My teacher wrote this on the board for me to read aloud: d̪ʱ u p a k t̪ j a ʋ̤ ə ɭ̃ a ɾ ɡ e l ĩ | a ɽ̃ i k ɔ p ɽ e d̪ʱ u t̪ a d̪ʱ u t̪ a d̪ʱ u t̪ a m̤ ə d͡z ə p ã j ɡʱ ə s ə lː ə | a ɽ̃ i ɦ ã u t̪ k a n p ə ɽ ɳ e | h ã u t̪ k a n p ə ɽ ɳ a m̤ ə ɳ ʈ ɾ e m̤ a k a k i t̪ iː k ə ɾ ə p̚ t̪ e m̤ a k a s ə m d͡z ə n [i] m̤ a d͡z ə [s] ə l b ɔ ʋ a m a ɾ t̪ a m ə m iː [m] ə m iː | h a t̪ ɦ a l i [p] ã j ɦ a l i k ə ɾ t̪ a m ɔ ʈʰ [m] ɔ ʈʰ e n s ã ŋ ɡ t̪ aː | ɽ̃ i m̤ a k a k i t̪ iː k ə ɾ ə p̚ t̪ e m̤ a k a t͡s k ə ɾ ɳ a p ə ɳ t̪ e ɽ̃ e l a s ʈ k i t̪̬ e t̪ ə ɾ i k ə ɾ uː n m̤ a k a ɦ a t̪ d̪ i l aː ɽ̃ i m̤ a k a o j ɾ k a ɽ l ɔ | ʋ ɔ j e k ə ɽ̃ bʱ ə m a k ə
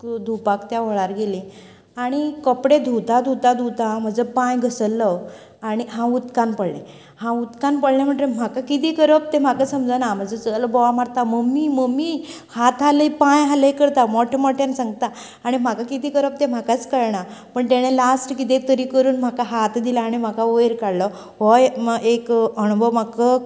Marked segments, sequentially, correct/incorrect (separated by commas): incorrect, incorrect, correct, correct, correct